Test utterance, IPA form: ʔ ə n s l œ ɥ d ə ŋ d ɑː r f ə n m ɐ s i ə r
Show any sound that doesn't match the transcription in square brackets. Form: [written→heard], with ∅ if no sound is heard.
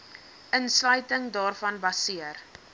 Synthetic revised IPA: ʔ ə n s l œ ɥ [d→t] ə ŋ d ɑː r f [ə→ɐ] n [m→b] ɐ s i ə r